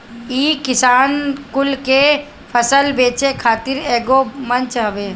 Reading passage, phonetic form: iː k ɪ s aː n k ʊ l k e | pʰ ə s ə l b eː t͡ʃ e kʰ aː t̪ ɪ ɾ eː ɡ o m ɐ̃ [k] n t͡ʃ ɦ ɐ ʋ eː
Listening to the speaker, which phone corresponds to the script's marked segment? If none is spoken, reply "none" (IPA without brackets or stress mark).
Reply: none